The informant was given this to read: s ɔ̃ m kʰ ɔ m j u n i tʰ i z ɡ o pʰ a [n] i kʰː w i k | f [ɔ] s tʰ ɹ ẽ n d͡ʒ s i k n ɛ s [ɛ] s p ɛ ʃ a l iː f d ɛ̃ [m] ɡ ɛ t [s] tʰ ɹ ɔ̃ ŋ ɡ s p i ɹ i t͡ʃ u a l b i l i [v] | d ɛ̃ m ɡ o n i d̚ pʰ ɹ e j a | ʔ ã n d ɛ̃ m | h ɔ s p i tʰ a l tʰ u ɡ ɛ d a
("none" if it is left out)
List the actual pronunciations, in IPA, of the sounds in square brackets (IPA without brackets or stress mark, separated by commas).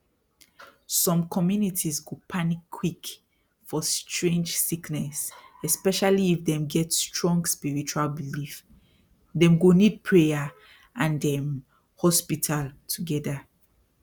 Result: n, ɔ, ɛ, m, s, f